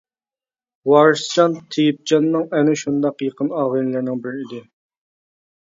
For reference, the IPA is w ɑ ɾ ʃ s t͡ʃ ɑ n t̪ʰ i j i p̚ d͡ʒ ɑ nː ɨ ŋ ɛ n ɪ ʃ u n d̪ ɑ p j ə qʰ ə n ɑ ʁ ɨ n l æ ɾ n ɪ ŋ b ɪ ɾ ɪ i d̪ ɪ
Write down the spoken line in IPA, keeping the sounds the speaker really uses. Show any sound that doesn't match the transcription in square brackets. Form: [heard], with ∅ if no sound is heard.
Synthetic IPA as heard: w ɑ ɾ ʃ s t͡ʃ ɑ n t̪ʰ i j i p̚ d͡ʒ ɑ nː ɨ ŋ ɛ n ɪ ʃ u n d̪ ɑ [q] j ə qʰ ə n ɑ ʁ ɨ n l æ ɾ n ɪ ŋ b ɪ ɾ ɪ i d̪ ɪ